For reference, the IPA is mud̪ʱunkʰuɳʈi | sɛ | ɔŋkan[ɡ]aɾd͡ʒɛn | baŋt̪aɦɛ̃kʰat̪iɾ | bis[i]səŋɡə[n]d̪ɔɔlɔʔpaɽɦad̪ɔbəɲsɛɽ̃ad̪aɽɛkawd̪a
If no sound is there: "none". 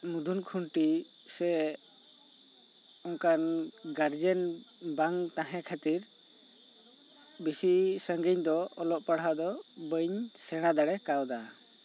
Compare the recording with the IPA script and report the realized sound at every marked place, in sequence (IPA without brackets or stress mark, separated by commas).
ɡ, i, ɲ